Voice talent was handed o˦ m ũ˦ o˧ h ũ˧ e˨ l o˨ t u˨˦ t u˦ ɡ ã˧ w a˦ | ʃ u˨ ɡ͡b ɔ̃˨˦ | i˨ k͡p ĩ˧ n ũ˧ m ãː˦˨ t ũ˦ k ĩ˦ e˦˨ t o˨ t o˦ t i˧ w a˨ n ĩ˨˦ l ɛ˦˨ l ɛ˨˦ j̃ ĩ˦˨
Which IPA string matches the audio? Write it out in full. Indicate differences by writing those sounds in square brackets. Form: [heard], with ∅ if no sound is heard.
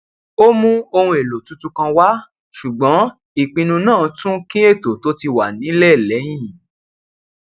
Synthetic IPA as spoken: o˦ m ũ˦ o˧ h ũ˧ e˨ l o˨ t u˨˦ t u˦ [k] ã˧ w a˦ | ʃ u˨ ɡ͡b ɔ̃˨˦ | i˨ k͡p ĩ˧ n ũ˧ [n] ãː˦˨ t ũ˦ k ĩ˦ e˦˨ t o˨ t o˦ t i˧ w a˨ n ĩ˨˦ l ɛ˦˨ l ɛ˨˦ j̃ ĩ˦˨